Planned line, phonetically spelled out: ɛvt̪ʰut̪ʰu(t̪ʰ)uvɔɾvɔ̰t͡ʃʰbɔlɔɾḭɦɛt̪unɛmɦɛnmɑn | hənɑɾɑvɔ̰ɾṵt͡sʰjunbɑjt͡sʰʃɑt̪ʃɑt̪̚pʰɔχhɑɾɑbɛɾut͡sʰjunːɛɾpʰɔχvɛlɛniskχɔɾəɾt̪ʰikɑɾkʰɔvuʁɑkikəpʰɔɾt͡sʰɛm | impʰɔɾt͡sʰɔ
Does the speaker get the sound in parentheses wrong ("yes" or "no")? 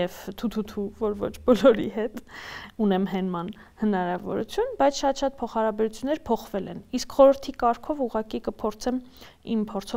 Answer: no